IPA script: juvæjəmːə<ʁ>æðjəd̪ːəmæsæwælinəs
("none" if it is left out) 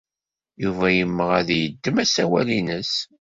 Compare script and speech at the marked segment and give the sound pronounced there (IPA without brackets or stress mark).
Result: ʁ